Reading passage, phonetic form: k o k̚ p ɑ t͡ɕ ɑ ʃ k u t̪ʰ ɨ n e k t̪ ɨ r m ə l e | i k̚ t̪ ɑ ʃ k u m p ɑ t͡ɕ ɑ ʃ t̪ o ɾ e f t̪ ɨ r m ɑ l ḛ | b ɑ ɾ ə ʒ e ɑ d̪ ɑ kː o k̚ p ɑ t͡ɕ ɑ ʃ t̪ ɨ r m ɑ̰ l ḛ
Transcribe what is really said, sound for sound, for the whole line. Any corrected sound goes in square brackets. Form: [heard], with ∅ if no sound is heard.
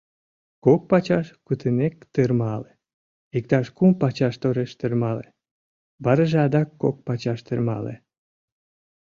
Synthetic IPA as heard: k o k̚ p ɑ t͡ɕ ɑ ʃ k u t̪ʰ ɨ n e k t̪ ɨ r m [ɑ] l e | i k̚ t̪ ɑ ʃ k u m p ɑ t͡ɕ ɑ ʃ t̪ o ɾ e [ʃ] t̪ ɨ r m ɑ l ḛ | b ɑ ɾ ə ʒ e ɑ d̪ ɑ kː o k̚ p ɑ t͡ɕ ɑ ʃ t̪ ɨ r m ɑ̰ l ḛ